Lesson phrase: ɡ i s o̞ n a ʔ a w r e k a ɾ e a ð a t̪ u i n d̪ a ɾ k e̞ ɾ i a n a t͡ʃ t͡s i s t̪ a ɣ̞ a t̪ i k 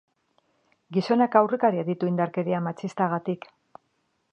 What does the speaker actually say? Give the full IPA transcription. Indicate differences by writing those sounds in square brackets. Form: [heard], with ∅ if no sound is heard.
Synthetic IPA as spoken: ɡ i s o̞ n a [k] a w r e k a ɾ [i] a ð [i] t̪ u i n d̪ a ɾ k e̞ ɾ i a [m] a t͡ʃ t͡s i s t̪ a ɣ̞ a t̪ i k